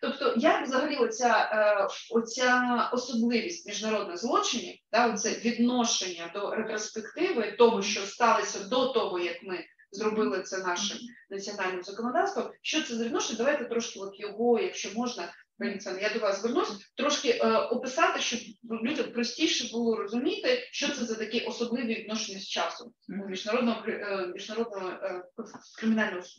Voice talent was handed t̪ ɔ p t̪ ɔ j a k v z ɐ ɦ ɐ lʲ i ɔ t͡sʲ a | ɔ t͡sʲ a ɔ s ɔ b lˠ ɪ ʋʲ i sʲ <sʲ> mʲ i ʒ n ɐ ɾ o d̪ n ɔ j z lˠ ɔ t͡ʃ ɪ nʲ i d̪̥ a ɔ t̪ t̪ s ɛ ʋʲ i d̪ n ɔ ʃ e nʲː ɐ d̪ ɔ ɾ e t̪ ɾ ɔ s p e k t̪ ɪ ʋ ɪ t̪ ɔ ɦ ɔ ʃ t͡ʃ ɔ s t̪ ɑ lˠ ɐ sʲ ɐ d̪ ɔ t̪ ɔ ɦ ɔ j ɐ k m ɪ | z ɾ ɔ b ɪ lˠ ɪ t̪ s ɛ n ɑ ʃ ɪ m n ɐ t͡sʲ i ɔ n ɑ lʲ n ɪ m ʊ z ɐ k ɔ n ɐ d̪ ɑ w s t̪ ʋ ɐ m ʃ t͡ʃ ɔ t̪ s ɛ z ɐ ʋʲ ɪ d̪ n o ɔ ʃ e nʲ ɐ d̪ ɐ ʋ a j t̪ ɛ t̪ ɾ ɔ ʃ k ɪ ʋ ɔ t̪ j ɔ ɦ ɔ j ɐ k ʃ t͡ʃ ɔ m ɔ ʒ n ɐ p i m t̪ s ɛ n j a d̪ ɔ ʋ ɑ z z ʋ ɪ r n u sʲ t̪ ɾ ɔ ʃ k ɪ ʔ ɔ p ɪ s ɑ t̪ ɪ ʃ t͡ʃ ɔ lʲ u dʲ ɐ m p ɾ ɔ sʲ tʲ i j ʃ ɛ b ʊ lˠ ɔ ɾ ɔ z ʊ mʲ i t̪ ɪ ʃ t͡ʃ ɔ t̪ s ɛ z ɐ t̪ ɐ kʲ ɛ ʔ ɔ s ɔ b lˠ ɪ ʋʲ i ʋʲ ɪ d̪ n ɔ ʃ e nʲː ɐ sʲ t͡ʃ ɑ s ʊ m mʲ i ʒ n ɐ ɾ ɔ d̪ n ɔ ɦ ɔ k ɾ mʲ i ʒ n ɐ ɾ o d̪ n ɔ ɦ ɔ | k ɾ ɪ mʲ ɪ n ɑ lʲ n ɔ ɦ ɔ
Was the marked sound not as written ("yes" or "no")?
yes